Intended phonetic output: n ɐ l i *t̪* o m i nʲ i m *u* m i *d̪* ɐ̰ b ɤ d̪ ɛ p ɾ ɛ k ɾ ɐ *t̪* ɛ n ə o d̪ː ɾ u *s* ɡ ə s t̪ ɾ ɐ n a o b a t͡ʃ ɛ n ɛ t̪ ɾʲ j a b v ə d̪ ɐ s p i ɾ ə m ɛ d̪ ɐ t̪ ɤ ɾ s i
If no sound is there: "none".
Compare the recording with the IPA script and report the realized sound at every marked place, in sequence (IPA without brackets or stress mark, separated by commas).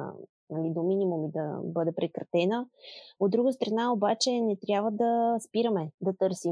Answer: d̪, u, d̪, t̪, none